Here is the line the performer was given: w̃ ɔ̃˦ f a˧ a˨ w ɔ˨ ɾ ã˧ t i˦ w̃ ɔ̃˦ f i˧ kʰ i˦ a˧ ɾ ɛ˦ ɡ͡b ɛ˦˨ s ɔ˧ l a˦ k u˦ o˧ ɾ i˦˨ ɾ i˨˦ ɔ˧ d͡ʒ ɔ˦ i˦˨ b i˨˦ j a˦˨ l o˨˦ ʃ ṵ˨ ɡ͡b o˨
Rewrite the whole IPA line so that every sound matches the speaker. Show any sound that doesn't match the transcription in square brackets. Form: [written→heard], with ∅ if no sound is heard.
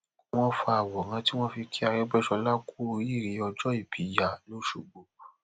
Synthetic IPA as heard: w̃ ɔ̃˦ f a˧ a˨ w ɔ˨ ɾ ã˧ t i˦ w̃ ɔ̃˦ f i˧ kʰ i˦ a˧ ɾ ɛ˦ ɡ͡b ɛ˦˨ [s→ʃ] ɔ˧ l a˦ k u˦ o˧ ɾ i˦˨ ɾ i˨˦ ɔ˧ d͡ʒ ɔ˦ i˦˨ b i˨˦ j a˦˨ l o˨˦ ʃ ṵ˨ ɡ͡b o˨